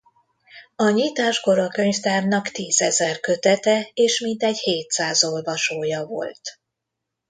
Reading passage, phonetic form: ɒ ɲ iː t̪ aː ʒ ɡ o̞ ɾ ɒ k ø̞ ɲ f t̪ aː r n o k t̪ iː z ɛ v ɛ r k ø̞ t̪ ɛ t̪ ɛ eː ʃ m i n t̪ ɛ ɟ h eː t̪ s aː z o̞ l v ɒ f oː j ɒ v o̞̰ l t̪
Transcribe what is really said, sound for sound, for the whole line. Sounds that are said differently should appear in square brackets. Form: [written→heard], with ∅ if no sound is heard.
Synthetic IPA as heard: ɒ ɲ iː t̪ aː ʒ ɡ o̞ ɾ ɒ k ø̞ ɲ f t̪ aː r n [o→ɒ] k t̪ iː z ɛ [v→z] ɛ r k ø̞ t̪ ɛ t̪ ɛ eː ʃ m i n t̪ ɛ ɟ h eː t̪ s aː z o̞ l v ɒ [f→ʃ] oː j ɒ v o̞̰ l t̪